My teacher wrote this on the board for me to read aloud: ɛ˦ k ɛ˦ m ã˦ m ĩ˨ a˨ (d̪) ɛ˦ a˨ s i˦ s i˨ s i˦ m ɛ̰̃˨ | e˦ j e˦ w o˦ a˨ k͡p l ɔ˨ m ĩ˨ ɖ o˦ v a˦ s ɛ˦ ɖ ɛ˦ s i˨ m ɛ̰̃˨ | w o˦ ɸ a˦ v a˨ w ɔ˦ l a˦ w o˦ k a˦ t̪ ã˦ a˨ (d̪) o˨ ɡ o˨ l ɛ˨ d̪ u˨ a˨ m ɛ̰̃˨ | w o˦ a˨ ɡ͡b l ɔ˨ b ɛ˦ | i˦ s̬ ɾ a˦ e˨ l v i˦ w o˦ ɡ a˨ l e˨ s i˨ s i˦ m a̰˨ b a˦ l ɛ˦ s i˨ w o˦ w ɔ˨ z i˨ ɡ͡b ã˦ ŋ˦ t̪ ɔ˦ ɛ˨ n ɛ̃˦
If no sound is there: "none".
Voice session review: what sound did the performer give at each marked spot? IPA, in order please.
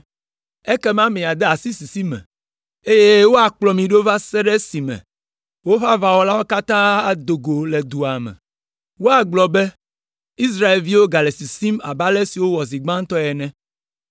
d̪, d̪

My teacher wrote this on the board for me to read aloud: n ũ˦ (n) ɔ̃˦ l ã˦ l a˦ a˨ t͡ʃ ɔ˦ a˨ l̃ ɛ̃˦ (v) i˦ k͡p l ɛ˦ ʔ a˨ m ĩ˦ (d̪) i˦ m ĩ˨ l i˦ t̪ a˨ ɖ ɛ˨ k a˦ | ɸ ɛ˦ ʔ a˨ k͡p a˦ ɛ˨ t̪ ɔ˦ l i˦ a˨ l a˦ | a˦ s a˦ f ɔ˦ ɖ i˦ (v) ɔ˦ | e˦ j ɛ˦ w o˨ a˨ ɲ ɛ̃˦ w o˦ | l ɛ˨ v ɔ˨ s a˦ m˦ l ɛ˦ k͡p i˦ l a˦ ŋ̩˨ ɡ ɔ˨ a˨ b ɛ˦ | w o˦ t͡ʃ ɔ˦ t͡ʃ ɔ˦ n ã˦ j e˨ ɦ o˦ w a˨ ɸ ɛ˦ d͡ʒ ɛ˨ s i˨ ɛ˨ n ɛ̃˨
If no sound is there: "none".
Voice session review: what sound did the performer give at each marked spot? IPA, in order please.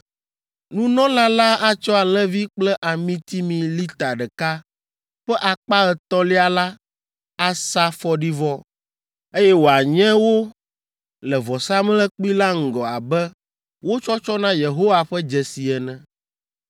n, v, t̪, v

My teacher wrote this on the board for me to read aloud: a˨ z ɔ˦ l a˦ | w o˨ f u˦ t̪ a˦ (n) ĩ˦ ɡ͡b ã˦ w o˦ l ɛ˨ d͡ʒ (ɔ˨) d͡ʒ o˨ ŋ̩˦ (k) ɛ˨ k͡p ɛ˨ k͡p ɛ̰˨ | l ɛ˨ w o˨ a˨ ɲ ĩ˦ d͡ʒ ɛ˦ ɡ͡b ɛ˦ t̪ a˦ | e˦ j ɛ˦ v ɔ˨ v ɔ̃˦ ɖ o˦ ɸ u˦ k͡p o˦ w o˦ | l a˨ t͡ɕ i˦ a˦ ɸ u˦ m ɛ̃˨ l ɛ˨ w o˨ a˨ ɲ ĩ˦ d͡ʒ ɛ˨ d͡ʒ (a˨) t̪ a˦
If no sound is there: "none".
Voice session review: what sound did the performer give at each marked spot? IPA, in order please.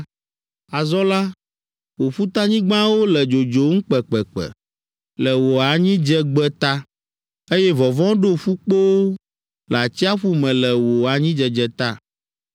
ɲ, o˨, k͡p, ɛ˨

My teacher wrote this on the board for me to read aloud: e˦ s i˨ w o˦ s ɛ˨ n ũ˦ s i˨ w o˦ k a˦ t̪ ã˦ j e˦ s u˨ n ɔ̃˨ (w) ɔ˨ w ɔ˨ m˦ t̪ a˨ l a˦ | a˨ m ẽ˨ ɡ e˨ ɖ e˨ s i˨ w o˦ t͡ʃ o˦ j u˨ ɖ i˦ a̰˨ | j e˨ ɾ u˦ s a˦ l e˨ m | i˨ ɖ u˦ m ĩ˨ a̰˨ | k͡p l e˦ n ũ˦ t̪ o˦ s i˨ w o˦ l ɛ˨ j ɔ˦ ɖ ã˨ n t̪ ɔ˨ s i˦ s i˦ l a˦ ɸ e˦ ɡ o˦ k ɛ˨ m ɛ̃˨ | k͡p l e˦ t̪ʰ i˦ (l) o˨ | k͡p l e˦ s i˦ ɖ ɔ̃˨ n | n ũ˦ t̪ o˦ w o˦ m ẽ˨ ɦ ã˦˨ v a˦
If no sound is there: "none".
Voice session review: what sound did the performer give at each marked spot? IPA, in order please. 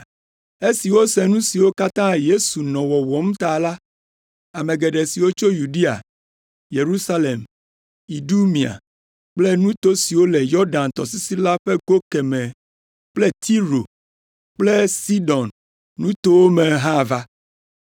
w, ɾ

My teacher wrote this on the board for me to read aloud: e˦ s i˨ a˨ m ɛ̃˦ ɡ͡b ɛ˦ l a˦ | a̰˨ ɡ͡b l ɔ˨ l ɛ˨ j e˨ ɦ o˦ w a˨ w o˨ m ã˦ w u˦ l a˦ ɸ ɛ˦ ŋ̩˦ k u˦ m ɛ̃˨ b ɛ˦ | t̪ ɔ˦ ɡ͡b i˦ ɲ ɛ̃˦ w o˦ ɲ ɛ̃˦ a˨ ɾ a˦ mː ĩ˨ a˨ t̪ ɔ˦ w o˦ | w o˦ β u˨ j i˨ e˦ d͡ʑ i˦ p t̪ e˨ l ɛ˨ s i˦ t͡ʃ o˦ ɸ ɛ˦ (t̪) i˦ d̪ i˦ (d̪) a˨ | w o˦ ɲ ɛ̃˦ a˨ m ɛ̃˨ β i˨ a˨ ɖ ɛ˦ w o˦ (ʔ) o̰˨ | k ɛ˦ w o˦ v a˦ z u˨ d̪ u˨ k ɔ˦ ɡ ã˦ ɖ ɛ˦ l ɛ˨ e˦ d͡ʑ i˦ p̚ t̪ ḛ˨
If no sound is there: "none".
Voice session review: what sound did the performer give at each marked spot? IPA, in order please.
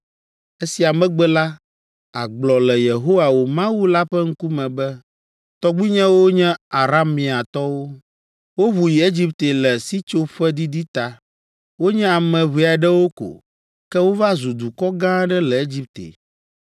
d̪, t̪, k

